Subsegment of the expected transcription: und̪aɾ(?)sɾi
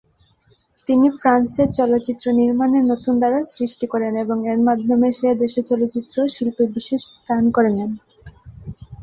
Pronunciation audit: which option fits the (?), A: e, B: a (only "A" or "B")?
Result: B